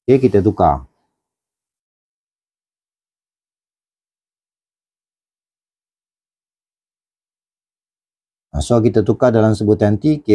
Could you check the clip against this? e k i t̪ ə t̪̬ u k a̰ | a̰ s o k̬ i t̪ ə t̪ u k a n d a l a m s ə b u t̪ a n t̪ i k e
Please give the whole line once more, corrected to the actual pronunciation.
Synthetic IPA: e k i t̪ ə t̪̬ u k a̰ | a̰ s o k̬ i t̪ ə t̪ u k a d a l a m s ə b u t̪ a n t̪ i k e

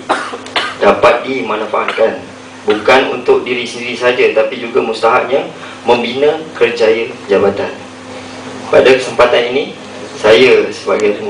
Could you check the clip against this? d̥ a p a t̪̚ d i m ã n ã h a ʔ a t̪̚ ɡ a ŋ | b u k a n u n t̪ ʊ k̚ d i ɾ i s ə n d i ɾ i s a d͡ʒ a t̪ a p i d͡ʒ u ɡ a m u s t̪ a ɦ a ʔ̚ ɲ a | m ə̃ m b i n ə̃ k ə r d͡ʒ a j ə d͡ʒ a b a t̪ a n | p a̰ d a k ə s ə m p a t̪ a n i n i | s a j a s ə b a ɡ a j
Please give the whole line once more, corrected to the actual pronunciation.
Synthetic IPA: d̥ a p a t̪̚ d i m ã n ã f a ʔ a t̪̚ k a n | b u k a n u n t̪ ʊ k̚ d i ɾ i s ə n d i ɾ i s a d͡ʒ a t̪ a p i d͡ʒ u ɡ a m u s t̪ a ɦ a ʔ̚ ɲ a | m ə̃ m b i n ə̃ k ə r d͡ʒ a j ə d͡ʒ a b a t̪ a n | p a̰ d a k ə s ə m p a t̪ a n i n i | s a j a s ə b a ɡ a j

